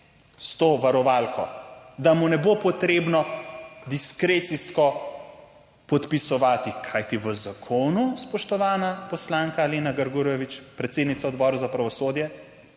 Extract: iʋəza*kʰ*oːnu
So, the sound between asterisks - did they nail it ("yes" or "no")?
yes